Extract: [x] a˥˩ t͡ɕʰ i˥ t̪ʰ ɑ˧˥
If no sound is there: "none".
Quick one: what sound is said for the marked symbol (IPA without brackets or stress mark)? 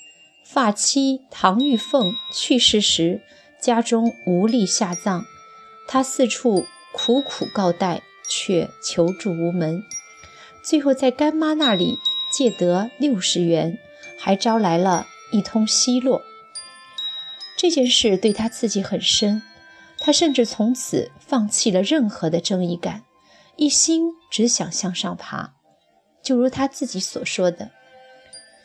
f